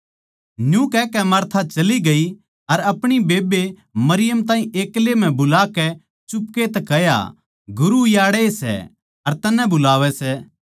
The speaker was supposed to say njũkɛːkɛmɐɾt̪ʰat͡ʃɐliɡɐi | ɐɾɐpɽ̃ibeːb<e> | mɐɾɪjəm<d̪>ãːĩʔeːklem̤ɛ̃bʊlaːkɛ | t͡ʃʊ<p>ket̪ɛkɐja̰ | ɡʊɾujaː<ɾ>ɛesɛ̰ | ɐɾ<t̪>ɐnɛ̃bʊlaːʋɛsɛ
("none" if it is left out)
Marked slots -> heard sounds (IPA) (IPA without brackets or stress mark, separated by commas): e, t̪, p, ɽ, t̪